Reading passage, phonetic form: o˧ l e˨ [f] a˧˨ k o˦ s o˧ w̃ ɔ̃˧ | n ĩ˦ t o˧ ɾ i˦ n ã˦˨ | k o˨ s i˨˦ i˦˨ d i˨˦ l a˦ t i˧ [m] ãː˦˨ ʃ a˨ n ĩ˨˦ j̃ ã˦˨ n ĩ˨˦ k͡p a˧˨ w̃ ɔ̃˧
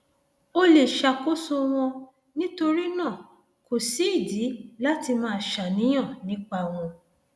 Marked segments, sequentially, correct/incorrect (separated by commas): incorrect, correct